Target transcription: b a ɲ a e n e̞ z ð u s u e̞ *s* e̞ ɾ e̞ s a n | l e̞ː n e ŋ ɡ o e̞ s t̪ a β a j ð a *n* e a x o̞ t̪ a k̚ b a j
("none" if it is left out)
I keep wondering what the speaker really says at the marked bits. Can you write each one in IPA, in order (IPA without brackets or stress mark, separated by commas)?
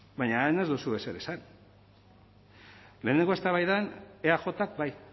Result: s, n